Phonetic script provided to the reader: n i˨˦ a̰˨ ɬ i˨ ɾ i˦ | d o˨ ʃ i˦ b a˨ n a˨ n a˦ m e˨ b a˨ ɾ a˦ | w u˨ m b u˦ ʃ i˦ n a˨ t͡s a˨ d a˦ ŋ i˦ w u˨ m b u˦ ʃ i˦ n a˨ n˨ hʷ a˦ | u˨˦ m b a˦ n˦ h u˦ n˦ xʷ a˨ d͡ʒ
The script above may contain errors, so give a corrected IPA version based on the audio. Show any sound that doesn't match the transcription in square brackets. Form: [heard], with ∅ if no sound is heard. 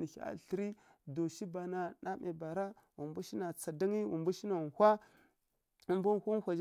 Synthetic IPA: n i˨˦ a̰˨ ɬ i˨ ɾ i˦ | d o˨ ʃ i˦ b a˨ n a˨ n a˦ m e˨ b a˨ ɾ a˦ | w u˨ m b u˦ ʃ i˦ n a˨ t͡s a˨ d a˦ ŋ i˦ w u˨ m b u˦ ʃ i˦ n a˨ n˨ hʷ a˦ | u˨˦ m b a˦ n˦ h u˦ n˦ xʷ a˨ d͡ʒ